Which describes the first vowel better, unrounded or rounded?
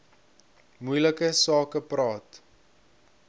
rounded